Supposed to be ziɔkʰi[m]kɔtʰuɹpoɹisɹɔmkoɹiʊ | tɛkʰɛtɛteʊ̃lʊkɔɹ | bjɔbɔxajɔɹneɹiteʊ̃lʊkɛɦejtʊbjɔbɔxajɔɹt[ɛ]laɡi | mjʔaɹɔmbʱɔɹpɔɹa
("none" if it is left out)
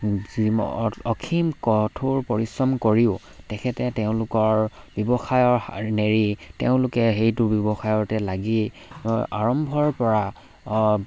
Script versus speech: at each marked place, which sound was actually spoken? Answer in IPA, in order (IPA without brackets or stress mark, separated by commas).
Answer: m, ɛ